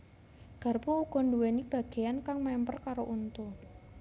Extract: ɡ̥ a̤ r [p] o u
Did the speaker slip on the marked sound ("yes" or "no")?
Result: no